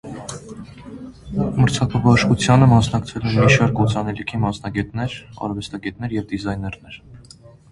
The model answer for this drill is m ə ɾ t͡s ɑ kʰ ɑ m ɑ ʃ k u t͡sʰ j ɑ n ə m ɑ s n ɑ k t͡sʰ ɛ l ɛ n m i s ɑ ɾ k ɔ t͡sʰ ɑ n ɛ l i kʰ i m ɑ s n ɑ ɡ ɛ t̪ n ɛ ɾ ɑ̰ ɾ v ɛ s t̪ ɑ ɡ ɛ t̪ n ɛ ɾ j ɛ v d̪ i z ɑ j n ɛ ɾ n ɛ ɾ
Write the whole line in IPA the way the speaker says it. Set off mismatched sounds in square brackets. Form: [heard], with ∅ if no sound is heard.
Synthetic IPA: m ə ɾ [t͡sʰ] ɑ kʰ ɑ [b] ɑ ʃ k u t͡sʰ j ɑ n ə m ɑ s n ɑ k t͡sʰ ɛ l ɛ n m i [ʃ] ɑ ɾ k ɔ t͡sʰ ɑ n ɛ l i kʰ i m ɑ s n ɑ ɡ ɛ t̪ n ɛ ɾ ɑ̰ ɾ v ɛ s t̪ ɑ ɡ ɛ t̪ n ɛ ɾ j ɛ v d̪ i z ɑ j n ɛ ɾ n ɛ ɾ